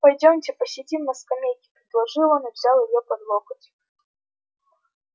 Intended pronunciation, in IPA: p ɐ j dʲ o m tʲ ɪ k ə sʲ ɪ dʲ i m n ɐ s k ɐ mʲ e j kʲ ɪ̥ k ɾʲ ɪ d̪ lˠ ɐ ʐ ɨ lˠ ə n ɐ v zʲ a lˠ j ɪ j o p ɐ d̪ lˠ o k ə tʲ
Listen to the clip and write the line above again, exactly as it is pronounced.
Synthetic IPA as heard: p ɐ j dʲ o m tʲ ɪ p ə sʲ ɪ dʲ i m n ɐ s k ɐ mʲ e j kʲ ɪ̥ p ɾʲ ɪ d̪ lˠ ɐ ʐ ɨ lˠ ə n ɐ v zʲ a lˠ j ɪ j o p ɐ d̪ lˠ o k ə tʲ

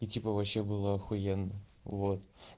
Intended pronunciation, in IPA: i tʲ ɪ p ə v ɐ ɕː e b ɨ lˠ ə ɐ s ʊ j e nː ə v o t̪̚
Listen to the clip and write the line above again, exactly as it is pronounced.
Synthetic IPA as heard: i tʲ i p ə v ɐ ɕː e b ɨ lˠ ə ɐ x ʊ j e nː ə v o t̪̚

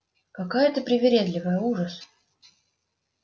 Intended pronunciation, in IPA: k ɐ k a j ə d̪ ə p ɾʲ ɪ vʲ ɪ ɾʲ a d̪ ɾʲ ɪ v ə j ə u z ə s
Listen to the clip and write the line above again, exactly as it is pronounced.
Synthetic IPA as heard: k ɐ k a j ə t̪ ə p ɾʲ ɪ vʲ ɪ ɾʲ e d̪ lʲ ɪ v ə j ə u ʐ ə s

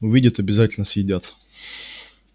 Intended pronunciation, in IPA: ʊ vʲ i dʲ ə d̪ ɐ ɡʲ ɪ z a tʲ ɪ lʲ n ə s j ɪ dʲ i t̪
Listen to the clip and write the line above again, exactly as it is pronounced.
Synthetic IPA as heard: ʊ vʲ i dʲ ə t̪ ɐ bʲ ɪ z a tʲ ɪ lʲ n ə s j ɪ dʲ a t̪

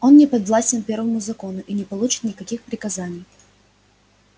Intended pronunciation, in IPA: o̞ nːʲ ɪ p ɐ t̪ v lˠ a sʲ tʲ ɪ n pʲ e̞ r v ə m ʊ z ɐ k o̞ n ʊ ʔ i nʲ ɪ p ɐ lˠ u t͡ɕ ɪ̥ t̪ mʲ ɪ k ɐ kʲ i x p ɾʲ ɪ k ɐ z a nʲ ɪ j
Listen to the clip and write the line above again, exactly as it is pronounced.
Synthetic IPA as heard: o̞ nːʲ ɪ p ɐ d̪ v lˠ a sʲ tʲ ɪ n pʲ e̞ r v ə m ʊ z ɐ k o̞ n ʊ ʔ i nʲ ɪ p ɐ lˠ u t͡ɕ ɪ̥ t̪ nʲ ɪ k ɐ kʲ i x p ɾʲ ɪ k ɐ z a nʲ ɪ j

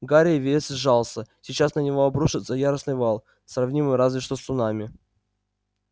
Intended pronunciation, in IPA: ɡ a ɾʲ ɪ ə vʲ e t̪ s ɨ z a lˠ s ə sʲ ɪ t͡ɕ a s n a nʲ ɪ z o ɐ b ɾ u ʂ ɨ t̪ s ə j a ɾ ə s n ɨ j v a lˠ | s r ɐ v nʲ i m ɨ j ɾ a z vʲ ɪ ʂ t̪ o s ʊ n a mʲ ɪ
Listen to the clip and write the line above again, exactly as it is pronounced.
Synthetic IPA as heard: ɡ a ɾʲ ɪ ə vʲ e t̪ s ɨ ʐ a lˠ s ə sʲ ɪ t͡ɕ a s n ə nʲ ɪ v o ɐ b ɾ u ʂ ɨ t̪ s ə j a ɾ ə s n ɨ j v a lˠ | s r ɐ v nʲ i m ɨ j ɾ a z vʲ ɪ ʂ t̪ o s ʊ n a mʲ ɪ

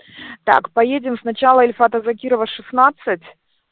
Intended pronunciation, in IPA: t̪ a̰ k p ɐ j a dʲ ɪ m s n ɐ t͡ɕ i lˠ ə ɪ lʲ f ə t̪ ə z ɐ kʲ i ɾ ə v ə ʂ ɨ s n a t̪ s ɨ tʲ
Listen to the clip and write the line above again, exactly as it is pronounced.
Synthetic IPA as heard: t̪ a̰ k p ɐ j e dʲ ɪ m s n ɐ t͡ɕ a lˠ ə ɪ lʲ f a t̪ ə z ɐ kʲ i ɾ ə v ə ʂ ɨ s n a t̪ s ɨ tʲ

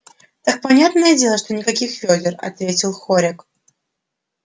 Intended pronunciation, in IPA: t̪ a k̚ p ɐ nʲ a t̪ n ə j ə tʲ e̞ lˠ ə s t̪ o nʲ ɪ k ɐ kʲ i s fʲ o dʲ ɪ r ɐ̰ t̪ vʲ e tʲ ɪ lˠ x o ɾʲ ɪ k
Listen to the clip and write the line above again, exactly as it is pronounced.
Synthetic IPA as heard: t̪ a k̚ p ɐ nʲ a t̪ n ə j ə dʲ e̞ lˠ ə ʂ t̪ o nʲ ɪ k ɐ kʲ i x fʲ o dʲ ɪ r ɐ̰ t̪ vʲ e tʲ ɪ lˠ x o ɾʲ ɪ k

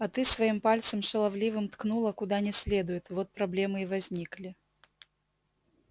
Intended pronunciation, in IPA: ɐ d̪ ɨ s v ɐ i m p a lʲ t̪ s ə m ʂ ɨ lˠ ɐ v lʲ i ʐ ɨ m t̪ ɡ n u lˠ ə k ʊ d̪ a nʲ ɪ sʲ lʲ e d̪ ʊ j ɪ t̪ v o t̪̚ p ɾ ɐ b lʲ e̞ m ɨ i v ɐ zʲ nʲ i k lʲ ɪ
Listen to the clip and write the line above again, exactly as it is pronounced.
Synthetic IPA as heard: ɐ t̪ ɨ s v ɐ i m p a lʲ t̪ s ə m ʂ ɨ lˠ ɐ v lʲ i v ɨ m t̪ k n u lˠ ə k ʊ d̪ a nʲ ɪ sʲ lʲ e d̪ ʊ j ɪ t̪ v o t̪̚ p ɾ ɐ b lʲ e̞ m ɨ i v ɐ zʲ nʲ i k lʲ ɪ

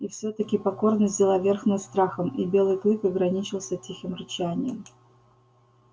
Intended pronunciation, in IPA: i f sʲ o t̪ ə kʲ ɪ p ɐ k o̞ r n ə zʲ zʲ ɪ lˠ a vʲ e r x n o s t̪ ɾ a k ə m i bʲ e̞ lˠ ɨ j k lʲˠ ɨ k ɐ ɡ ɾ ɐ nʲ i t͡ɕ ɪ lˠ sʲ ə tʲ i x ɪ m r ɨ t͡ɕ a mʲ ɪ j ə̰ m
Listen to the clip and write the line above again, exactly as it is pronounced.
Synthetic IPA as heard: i f sʲ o t̪ ə kʲ ɪ p ɐ k o̞ r n ə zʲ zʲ ɪ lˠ a vʲ e r x n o s t̪ ɾ a x ə m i bʲ e̞ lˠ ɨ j k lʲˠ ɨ k ɐ ɡ ɾ ɐ nʲ i t͡ɕ ɪ lˠ sʲ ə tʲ i x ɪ m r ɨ t͡ɕ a nʲ ɪ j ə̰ m

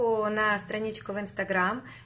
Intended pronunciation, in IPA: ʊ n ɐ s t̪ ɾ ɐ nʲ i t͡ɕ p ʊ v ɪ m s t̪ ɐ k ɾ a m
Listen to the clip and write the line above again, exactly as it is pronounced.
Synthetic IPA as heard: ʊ n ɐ s t̪ ɾ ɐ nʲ i t͡ɕ k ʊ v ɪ n s t̪ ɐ ɡ ɾ a m

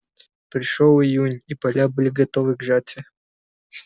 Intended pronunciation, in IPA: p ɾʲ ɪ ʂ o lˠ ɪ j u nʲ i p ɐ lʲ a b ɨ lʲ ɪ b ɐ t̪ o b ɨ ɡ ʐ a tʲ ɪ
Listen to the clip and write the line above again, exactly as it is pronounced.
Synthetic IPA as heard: p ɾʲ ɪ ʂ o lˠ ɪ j u nʲ i p ɐ lʲ a b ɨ lʲ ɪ ɡ ɐ t̪ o v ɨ ɡ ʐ a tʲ ɪ

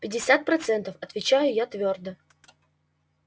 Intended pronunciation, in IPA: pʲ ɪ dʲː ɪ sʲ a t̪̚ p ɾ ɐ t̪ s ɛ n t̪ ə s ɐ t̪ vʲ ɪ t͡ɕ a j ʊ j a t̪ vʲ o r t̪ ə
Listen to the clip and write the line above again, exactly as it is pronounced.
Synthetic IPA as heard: pʲ ɪ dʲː ɪ sʲ a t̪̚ p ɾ ɐ t̪ s ɛ n t̪ ə f ɐ t̪ vʲ ɪ t͡ɕ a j ʊ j a t̪ vʲ o r d̪ ə

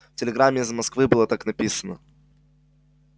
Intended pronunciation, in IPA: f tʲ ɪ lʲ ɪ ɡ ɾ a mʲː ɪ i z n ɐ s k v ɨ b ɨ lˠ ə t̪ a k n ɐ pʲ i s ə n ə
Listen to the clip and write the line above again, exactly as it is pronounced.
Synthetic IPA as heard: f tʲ ɪ lʲ ɪ ɡ ɾ a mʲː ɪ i z m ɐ s k v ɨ b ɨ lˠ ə t̪ a k n ɐ pʲ i s ə n ə

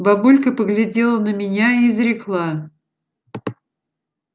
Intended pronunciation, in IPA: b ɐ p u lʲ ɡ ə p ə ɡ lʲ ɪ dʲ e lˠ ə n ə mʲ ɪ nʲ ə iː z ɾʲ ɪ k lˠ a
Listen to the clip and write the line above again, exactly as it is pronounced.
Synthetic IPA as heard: b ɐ b u lʲ k ə p ə ɡ lʲ ɪ dʲ e lˠ ə n ə mʲ ɪ nʲ a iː z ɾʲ ɪ k lˠ a

